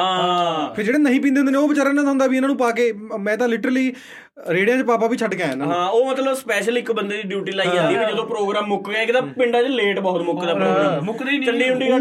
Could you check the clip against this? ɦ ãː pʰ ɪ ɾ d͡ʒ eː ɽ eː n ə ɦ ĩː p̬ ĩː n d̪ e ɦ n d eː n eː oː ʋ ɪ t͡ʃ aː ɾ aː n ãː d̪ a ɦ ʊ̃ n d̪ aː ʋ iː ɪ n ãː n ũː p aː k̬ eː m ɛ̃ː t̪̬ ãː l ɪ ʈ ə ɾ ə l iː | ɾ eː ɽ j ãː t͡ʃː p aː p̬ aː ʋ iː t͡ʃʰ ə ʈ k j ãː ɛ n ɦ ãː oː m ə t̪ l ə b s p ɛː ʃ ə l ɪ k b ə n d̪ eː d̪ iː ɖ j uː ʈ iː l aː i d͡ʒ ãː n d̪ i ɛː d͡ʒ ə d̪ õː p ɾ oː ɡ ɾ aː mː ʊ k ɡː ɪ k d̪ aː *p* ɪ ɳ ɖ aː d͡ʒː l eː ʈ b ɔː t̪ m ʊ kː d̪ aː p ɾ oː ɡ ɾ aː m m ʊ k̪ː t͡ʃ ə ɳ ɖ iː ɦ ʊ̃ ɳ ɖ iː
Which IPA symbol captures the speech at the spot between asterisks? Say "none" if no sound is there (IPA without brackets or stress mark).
p